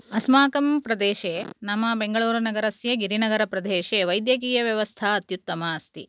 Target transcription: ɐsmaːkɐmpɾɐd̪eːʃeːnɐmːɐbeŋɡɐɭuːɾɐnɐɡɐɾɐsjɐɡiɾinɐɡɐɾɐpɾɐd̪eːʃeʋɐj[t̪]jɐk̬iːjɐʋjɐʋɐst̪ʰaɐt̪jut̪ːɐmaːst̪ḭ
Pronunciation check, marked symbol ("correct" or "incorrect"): incorrect